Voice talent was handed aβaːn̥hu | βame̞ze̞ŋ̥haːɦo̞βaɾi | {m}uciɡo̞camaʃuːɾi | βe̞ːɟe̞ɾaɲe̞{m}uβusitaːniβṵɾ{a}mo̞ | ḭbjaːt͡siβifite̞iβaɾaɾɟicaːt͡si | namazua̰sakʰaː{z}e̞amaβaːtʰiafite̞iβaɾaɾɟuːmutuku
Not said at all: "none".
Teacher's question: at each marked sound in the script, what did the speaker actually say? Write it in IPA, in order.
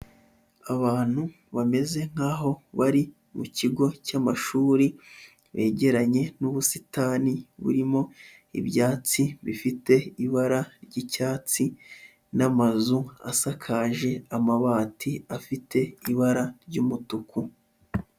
m, n, i, ʒ

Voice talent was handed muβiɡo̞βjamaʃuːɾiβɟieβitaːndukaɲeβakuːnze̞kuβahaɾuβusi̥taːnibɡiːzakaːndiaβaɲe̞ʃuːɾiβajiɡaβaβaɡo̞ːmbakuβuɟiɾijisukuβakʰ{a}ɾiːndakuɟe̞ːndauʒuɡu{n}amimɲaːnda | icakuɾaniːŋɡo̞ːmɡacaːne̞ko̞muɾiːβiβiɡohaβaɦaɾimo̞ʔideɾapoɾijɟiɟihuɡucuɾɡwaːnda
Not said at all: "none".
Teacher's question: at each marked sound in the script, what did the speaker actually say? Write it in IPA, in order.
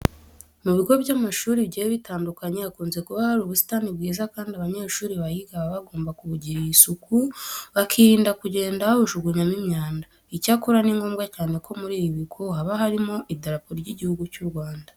i, ɲ

